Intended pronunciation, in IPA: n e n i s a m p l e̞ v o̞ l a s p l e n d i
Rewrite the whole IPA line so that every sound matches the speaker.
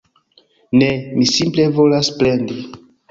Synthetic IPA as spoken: n e m i s i m p l e̞ v o̞ l a s p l e n d i